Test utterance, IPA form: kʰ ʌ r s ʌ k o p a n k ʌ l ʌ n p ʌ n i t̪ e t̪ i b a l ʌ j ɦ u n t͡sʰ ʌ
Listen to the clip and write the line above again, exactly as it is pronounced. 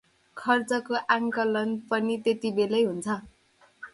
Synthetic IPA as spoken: kʰ ʌ r t͡s ʌ k o ʔ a ŋ k ʌ l ʌ n p ʌ n i t̪ e t̪ i b e l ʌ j ɦ u n t͡sʰ ʌ